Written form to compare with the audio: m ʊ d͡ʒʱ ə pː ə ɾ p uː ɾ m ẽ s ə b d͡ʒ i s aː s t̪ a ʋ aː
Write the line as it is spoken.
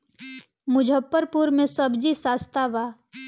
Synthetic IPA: m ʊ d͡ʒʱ ə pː ə ɾ p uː ɾ m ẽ s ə b d͡ʒ i s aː s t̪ a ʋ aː